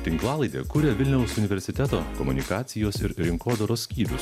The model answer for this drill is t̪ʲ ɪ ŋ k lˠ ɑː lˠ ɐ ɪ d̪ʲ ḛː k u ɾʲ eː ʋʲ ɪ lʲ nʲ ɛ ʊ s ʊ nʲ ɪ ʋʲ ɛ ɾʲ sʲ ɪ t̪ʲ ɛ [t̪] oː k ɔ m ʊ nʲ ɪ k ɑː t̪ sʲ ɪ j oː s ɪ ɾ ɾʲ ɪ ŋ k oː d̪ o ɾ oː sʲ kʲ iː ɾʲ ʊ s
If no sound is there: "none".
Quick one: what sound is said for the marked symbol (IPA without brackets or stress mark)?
t̪